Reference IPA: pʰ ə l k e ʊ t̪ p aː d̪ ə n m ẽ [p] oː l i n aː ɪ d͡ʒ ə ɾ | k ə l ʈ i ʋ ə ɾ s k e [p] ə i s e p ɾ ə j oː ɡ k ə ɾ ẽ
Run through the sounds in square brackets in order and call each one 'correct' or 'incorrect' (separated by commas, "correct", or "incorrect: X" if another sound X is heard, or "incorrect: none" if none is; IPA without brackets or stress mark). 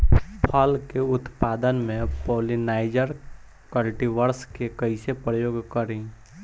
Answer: correct, incorrect: k